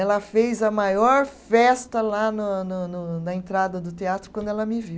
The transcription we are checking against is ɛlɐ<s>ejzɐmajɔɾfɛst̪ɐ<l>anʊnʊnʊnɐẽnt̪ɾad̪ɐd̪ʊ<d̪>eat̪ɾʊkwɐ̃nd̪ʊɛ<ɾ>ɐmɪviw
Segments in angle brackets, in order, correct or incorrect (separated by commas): incorrect, correct, incorrect, incorrect